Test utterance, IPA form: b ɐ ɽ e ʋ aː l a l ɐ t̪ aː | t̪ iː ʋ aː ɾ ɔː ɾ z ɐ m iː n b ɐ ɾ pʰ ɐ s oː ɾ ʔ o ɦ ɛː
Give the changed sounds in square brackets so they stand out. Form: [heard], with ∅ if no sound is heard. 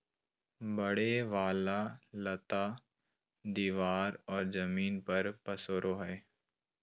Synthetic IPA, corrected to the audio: b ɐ ɽ e ʋ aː l a l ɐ t̪ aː | [d̪] iː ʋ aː ɾ ɔː ɾ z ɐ m iː n [p] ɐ ɾ [p] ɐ s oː ɾ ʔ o ɦ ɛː